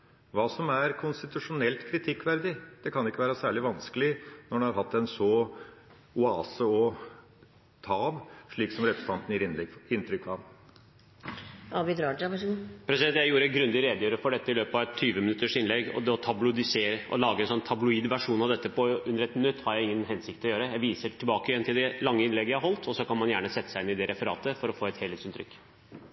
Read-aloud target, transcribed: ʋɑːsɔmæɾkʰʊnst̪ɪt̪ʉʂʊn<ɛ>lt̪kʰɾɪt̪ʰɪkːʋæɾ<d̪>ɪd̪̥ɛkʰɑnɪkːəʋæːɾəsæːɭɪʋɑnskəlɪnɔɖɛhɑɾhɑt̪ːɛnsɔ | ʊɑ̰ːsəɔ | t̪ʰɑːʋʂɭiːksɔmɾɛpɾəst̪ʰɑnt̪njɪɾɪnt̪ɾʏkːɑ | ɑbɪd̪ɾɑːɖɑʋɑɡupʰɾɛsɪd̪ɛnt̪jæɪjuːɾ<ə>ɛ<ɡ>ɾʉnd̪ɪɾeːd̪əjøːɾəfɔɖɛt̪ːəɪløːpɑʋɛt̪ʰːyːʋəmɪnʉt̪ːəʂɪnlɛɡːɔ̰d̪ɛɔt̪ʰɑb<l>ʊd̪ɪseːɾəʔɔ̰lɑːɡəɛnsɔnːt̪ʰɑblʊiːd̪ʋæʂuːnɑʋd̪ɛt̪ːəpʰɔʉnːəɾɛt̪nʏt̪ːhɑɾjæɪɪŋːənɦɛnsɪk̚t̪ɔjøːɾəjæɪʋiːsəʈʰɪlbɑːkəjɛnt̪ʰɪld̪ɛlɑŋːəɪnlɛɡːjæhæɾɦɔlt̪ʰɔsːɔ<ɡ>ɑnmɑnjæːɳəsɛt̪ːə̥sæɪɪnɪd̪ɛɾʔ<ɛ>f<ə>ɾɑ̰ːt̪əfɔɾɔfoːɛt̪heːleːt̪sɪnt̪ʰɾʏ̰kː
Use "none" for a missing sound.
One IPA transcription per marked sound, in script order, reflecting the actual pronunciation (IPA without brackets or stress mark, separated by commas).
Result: ɛ, d̪, ə, ɡ, l, k, ɛ, ə